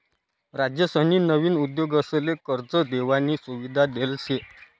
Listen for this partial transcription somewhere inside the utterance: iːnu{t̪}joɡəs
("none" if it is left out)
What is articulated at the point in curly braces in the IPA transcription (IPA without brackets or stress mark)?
d̪